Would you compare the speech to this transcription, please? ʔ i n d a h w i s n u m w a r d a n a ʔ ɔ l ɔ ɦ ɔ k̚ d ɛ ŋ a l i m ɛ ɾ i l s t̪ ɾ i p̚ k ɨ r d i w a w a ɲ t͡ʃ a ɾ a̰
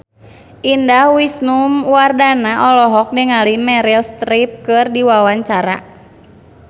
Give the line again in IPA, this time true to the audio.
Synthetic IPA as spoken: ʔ i n d a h w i s n u m w a r d a n a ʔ ɔ l ɔ ɦ ɔ k̚ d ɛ ŋ a l i m ɛ ɾ i l s t̪ ɾ i p̚ k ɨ r d i w a w a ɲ t͡ʃ a ɾ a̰